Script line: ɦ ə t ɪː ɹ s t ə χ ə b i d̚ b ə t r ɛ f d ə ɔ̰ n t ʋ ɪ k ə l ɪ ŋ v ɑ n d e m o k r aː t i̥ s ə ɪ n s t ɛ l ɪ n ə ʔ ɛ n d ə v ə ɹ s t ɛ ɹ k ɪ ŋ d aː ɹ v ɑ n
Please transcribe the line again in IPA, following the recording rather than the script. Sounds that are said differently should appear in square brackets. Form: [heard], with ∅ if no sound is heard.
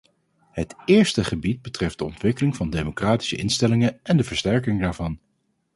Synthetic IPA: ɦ ə t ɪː ɹ s t ə χ ə b i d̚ b ə t r ɛ f d ə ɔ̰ n t ʋ ɪ k ə l ɪ ŋ v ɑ n d e m o k r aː t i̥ s ə ɪ n s t ɛ l ɪ [ŋ] ə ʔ ɛ n d ə v ə ɹ s t ɛ ɹ k ɪ ŋ d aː ɹ v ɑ n

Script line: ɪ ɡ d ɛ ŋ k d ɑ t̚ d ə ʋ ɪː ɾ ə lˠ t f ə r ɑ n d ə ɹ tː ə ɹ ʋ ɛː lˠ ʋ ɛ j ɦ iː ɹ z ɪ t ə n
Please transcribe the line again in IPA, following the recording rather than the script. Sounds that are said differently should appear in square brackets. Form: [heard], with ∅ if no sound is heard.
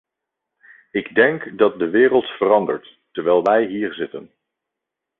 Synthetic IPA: ɪ ɡ d ɛ ŋ k d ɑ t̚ d ə ʋ ɪː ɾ ə lˠ t f ə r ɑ n d ə ɹ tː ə ɹ ʋ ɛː lˠ ʋ ɛ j ɦ iː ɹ z ɪ t ə n

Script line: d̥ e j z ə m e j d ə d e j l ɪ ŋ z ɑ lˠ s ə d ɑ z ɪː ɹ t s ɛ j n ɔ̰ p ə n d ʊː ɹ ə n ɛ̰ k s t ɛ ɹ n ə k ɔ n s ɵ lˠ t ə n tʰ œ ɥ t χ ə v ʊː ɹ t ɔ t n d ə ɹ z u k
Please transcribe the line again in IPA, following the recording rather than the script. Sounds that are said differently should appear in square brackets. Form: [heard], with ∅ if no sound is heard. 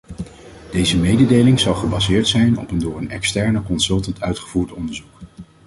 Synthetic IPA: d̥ e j z ə m e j d ə d e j l ɪ ŋ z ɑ lˠ [χ] ə [b] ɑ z ɪː ɹ t s ɛ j n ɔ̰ p ə n d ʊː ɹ ə n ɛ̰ k s t ɛ ɹ n ə k ɔ n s ɵ lˠ t ə n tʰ œ ɥ t χ ə v [uː] ɹ t ɔ [∅] n d ə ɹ z u k

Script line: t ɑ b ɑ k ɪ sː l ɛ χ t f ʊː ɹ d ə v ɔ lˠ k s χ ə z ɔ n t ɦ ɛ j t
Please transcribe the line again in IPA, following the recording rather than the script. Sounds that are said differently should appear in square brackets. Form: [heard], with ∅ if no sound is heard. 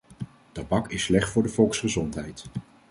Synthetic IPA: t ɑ b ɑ k ɪ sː l ɛ χ t f ʊː ɹ d ə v ɔ lˠ k s χ ə z ɔ n t ɦ ɛ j t

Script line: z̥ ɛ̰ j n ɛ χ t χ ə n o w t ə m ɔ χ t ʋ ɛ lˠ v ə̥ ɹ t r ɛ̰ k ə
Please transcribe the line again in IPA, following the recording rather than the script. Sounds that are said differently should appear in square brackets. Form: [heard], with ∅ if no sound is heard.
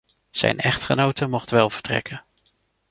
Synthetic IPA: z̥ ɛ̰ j n ɛ χ t χ ə n o w t ə m ɔ χ t ʋ ɛ lˠ v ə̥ ɹ t r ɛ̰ k ə

